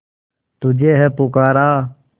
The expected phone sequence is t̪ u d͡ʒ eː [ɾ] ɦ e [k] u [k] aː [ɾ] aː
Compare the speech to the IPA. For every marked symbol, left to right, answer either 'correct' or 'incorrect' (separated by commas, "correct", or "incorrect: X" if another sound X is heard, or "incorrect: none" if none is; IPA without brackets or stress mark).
incorrect: none, incorrect: p, correct, correct